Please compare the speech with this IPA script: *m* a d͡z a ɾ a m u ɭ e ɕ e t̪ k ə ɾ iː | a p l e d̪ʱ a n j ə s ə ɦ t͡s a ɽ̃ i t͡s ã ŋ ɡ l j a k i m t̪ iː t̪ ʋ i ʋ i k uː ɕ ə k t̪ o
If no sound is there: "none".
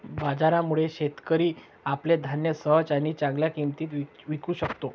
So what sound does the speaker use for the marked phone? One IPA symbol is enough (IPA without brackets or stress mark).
b